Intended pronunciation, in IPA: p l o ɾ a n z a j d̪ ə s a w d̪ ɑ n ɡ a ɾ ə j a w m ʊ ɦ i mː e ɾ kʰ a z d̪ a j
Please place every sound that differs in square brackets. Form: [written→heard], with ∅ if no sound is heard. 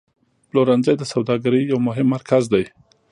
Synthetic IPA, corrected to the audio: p l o ɾ a n z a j d̪ ə s a w d̪ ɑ [n→∅] ɡ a ɾ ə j a w m ʊ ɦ [i→ɪ] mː [e→a] ɾ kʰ a z d̪ a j